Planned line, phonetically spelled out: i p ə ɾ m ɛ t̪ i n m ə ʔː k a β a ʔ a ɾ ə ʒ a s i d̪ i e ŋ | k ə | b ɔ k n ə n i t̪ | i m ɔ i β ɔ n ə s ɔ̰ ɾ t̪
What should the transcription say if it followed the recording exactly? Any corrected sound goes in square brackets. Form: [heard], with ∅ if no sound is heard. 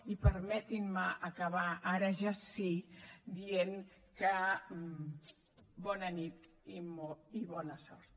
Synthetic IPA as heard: i p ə ɾ m ɛ t̪ i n m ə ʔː k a β a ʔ a ɾ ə ʒ a s i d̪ i e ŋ | k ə | b ɔ [∅] n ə n i t̪ | i m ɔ i β ɔ n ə s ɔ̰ ɾ t̪